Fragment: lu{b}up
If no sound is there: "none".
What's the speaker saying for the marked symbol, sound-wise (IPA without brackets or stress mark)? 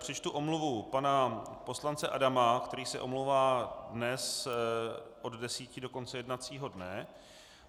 v